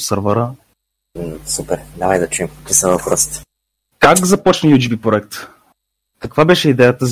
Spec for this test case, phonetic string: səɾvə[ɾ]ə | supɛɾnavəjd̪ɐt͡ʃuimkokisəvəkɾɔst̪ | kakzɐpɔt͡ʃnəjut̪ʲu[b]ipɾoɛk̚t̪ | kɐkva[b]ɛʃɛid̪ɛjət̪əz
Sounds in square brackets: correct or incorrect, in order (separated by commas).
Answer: correct, correct, correct